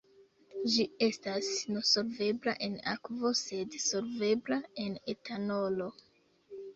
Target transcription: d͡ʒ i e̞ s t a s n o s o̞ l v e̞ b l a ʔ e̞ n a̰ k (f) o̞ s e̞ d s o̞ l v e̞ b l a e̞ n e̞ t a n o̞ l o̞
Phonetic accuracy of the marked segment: incorrect: v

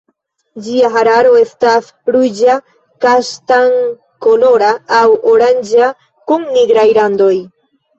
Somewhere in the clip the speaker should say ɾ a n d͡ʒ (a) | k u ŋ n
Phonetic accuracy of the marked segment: correct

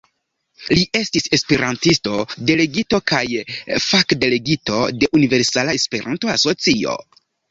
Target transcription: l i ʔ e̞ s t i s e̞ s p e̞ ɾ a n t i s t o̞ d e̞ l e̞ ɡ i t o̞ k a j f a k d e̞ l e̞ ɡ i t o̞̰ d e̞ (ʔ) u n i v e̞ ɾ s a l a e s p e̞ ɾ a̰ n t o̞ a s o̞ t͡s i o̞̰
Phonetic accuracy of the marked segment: correct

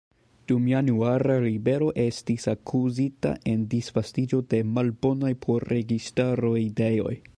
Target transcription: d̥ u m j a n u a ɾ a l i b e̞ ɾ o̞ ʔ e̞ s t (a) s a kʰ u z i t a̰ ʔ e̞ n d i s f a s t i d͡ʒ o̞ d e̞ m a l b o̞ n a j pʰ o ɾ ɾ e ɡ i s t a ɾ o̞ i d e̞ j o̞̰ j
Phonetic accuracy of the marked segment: incorrect: i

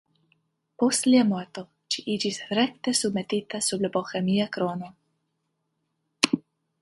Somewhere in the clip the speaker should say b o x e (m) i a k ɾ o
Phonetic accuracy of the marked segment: correct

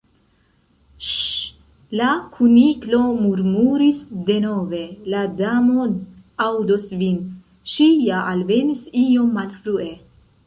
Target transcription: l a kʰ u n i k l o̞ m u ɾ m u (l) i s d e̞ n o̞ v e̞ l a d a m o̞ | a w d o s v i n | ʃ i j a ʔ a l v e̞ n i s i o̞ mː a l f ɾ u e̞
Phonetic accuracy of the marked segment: incorrect: ɾ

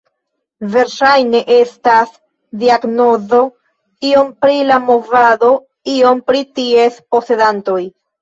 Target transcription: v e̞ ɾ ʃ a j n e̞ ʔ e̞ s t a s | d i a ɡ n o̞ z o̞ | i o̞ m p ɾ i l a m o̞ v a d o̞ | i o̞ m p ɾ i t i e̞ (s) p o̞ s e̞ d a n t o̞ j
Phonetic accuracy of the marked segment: correct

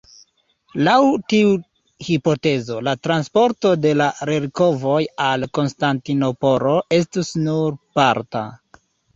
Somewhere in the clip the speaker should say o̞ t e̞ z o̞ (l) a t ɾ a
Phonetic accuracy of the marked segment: correct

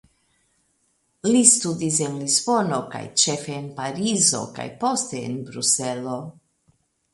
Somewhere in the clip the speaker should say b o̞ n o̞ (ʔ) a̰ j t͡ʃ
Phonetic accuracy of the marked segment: incorrect: k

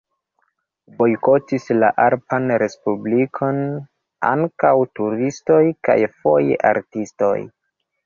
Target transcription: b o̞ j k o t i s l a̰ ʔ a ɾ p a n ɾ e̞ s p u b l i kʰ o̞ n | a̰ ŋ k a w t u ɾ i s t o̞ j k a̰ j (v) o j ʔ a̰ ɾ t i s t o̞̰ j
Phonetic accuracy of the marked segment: incorrect: f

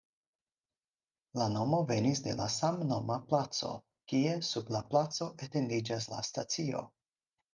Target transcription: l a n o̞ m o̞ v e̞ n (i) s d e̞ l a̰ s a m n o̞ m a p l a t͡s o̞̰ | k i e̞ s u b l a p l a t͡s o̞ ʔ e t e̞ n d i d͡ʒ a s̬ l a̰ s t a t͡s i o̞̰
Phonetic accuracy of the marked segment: correct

